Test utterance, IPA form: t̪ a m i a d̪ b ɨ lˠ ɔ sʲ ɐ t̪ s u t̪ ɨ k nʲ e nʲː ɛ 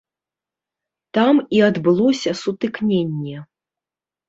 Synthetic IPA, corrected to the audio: t̪ a m i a d̪ b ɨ lˠ ɔ sʲ ɐ s u t̪ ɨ k nʲ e nʲː ɛ